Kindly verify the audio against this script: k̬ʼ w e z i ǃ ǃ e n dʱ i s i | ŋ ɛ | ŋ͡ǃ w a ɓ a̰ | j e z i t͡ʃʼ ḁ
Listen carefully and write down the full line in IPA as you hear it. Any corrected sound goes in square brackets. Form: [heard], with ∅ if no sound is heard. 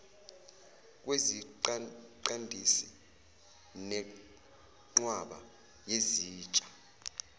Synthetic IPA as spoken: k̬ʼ w e z i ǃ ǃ [a] n dʱ i s i | [n] ɛ | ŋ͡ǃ w a ɓ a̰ | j e z [iː] t͡ʃʼ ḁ